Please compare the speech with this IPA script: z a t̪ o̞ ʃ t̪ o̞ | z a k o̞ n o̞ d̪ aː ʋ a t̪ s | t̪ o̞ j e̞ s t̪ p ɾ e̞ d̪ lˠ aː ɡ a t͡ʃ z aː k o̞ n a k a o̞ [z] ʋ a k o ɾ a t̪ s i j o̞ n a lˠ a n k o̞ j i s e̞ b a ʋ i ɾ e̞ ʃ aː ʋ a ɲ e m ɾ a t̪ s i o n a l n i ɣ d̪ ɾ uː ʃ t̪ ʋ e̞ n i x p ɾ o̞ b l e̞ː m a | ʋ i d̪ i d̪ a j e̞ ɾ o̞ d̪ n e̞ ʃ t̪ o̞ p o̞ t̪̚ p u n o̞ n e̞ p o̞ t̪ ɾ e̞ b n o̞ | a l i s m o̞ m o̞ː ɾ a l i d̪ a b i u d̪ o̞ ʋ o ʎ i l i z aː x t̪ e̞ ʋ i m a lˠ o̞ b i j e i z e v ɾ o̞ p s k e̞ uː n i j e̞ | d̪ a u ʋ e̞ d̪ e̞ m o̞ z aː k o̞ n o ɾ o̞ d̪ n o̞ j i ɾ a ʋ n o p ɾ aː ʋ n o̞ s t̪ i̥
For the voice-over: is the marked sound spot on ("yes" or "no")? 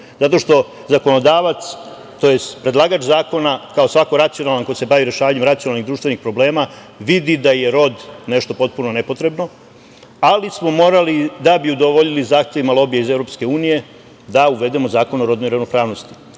no